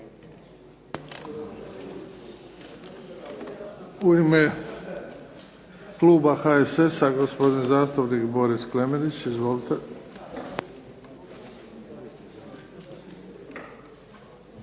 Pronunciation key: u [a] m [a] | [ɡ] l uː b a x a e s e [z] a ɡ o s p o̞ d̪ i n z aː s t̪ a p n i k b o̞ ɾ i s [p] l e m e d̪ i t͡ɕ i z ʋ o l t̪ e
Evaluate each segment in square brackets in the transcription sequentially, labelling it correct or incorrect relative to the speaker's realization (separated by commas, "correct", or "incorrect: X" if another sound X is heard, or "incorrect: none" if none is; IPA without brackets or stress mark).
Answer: incorrect: i, incorrect: e, incorrect: k, incorrect: s, incorrect: k